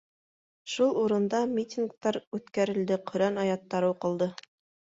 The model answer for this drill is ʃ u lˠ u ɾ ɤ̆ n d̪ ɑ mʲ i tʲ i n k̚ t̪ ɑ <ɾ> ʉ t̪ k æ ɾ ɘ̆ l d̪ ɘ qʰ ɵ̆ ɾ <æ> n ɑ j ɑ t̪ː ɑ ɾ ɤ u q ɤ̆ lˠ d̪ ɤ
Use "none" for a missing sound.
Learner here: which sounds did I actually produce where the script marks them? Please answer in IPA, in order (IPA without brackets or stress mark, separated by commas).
ɾ, æ